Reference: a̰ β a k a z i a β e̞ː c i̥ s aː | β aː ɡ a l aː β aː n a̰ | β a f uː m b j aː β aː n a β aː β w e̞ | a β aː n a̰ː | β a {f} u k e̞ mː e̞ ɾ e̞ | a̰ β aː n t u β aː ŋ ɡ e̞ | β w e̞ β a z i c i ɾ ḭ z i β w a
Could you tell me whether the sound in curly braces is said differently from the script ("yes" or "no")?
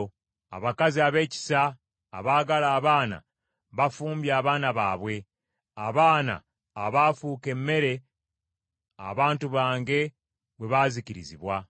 no